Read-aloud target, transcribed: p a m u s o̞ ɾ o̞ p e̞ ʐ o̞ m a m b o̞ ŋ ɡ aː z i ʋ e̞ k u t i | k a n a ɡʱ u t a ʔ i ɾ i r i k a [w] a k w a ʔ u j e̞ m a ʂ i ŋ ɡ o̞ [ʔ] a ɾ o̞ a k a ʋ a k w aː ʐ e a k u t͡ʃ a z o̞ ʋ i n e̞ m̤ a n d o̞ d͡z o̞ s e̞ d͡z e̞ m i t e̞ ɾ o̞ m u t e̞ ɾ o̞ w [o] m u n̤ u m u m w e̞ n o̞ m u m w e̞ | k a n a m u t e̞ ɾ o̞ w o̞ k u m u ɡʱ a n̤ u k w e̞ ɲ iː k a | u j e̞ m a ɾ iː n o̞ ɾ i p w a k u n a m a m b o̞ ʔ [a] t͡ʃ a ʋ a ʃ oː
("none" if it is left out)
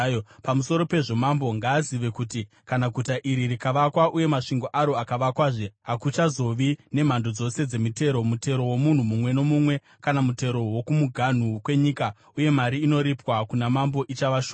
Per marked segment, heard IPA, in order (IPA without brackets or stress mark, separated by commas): ʋ, ʔ, o, i